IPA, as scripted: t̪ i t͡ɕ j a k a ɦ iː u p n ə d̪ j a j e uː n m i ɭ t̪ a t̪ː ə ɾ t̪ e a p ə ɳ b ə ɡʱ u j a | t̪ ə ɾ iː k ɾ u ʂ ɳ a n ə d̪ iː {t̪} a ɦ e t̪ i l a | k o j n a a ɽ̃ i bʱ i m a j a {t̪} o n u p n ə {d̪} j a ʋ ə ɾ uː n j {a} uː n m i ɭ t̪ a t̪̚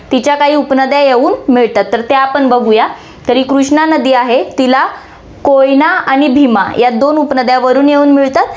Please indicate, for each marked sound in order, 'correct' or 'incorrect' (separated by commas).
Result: incorrect, incorrect, correct, incorrect